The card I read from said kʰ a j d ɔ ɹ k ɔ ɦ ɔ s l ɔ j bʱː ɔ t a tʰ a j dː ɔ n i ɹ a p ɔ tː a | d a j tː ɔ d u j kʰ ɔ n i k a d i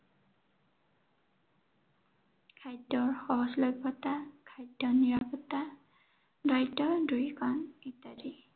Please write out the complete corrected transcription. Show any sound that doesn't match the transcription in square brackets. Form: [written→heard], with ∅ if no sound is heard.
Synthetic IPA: kʰ a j d ɔ ɹ [k→x] ɔ ɦ ɔ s l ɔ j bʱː ɔ t a [tʰ→kʰ] a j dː ɔ n i ɹ a p ɔ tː a | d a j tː ɔ d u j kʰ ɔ n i [k→t] a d i